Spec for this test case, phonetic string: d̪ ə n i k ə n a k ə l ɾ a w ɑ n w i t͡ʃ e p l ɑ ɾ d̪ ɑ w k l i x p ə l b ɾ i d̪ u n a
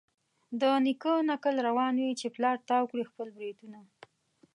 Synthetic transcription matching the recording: d̪ ə n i k ə n a k ə l ɾ a w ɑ n w i t͡ʃ e p l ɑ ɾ t̪ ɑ w k ɽ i x p ə l b ɾ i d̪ u n a